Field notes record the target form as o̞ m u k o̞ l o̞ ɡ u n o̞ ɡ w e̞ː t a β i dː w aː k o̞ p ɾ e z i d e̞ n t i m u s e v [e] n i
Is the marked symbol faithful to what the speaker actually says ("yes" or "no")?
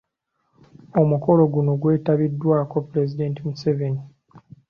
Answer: yes